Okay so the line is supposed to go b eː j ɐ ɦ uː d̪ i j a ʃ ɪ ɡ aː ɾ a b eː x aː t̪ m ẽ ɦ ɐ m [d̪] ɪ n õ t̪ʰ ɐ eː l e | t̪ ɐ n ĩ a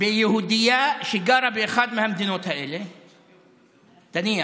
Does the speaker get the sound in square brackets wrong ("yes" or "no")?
no